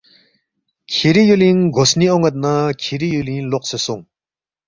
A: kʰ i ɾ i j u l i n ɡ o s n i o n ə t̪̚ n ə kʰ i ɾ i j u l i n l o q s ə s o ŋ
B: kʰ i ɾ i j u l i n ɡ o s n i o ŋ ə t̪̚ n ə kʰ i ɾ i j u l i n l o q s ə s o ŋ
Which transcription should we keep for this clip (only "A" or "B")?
B